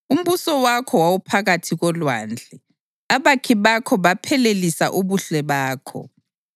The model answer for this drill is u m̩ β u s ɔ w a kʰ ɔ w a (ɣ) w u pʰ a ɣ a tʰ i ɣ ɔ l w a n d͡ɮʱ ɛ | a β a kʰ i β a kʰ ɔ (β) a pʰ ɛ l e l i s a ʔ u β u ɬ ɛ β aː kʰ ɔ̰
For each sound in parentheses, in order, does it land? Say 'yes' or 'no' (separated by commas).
no, yes